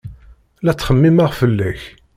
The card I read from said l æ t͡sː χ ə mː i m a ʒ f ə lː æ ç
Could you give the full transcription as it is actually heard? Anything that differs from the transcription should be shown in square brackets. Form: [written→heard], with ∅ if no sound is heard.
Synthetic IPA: l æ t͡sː χ ə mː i m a [ʒ→ʁ] f ə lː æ ç